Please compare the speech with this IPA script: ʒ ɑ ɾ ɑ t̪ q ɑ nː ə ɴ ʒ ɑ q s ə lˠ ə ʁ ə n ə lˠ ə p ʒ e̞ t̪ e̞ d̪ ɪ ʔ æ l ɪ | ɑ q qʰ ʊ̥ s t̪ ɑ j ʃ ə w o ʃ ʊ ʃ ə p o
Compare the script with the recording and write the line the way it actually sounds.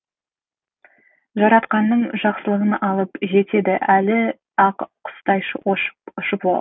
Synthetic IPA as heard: ʒ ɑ ɾ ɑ t̪ q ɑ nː ə ɴ ʒ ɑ q s ə lˠ ə ʁ ə n ɑ lˠ ə p ʒ e̞ t̪ e̞ d̪ ɪ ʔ æ l ɪ | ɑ q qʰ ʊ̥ s t̪ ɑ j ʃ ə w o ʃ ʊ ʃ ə p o